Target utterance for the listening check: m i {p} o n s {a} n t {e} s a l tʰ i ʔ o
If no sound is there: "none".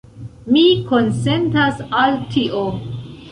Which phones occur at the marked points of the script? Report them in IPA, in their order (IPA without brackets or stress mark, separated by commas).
k, e, a